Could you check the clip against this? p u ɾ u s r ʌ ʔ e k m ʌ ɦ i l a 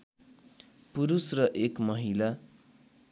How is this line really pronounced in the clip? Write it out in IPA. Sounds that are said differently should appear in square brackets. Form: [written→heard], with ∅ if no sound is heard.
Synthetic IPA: p u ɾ u s r ʌ ʔ e k m ʌ ɦ i l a